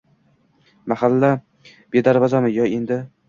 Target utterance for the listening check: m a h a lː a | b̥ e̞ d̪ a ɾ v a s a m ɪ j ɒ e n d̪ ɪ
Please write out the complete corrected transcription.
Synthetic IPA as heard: m a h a lː a | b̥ e̞ d̪ a ɾ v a z a m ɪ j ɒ e n d̪ ɪ